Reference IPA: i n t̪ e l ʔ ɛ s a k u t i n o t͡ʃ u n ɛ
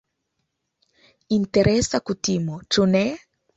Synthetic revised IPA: i n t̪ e ɾ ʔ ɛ s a k u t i m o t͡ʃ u n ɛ